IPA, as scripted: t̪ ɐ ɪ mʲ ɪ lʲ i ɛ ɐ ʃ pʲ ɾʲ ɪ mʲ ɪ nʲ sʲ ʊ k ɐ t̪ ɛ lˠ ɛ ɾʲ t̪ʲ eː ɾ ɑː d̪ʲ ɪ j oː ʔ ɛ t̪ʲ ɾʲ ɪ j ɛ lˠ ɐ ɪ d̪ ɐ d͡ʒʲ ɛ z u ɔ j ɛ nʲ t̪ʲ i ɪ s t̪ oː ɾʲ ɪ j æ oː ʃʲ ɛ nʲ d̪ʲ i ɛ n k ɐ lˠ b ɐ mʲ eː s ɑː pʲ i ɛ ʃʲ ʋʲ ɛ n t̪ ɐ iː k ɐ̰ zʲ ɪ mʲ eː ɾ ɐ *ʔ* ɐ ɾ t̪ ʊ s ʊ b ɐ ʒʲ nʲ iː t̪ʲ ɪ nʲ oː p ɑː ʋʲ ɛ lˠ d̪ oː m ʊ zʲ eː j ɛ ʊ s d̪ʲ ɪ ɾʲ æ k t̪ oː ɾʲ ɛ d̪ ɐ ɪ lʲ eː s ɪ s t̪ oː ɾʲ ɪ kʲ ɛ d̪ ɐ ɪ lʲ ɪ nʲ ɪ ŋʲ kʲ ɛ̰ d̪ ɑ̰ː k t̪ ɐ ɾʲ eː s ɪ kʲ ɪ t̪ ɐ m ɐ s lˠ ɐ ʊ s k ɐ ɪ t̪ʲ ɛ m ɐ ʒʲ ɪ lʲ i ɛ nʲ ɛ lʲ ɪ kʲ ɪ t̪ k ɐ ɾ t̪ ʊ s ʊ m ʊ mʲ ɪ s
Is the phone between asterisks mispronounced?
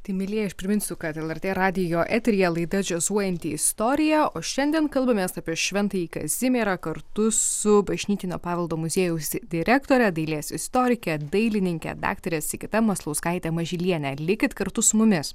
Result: yes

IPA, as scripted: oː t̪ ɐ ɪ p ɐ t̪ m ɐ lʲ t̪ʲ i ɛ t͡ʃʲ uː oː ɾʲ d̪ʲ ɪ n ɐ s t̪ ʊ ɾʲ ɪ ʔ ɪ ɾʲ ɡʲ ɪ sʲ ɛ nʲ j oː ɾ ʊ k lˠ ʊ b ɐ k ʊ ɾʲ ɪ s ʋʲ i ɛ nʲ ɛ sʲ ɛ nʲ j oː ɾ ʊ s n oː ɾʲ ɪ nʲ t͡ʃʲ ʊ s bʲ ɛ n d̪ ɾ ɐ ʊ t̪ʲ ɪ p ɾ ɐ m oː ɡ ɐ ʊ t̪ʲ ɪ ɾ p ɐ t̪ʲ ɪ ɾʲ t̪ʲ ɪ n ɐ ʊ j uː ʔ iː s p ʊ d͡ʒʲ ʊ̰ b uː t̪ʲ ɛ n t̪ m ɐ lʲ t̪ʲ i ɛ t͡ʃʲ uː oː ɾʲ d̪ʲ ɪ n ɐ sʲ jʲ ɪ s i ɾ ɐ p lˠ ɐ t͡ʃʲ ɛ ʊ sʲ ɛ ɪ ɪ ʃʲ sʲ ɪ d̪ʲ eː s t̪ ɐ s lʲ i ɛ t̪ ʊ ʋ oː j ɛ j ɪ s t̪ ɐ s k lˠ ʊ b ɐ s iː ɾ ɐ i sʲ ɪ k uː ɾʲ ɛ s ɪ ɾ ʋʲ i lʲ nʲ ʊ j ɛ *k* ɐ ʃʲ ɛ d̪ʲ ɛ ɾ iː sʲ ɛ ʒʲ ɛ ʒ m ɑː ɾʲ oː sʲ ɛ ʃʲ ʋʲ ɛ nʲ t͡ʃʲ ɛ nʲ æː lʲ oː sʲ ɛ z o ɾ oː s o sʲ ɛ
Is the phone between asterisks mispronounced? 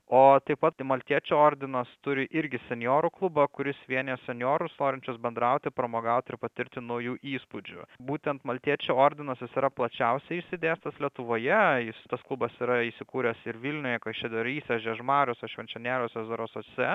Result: no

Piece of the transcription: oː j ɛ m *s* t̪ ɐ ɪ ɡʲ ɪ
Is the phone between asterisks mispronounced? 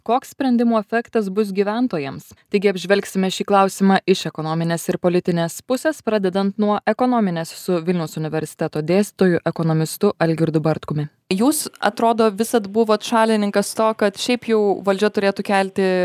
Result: no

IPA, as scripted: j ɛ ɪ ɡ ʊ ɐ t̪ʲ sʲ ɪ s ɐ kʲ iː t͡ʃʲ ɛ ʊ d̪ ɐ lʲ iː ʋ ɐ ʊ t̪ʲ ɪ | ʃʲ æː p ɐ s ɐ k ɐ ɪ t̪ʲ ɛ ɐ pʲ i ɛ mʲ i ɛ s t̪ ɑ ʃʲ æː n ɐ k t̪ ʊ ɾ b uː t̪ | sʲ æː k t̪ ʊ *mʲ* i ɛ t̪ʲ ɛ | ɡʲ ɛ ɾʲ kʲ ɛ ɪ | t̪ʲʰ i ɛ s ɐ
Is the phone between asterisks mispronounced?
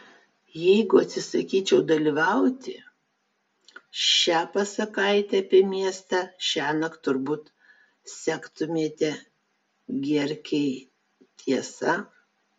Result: no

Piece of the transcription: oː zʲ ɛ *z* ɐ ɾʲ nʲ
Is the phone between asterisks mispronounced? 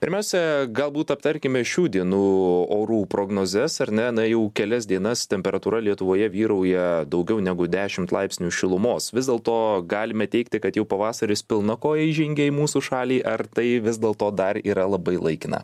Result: yes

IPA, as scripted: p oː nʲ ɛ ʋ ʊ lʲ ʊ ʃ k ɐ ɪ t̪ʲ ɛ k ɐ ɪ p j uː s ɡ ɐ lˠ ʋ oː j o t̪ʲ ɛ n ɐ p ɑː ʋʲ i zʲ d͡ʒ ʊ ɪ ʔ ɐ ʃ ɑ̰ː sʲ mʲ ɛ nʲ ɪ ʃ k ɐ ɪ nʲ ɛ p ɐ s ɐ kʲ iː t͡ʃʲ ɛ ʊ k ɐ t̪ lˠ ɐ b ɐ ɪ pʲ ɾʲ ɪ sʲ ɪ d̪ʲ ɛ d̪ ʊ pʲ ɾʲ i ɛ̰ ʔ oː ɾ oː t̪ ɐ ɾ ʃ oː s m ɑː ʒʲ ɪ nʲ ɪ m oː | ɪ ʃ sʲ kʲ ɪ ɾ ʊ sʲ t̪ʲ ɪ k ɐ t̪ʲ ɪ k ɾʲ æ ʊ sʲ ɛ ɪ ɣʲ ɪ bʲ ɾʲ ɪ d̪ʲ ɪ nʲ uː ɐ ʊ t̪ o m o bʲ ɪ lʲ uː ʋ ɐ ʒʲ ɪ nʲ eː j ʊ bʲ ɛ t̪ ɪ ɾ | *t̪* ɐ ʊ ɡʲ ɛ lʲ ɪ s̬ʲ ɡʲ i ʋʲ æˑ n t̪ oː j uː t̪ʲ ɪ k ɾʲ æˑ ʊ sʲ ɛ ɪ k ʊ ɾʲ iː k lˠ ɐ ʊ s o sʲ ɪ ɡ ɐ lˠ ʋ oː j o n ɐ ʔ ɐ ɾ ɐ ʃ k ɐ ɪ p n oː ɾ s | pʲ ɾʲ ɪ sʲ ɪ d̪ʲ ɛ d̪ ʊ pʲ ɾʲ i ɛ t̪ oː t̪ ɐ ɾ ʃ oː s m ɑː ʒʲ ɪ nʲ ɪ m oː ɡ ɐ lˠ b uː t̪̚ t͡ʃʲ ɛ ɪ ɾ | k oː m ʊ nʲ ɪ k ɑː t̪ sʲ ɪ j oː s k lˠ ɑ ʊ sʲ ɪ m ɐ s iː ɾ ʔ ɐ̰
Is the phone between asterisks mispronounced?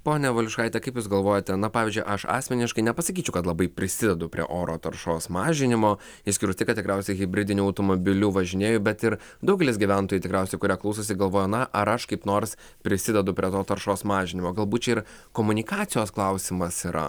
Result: yes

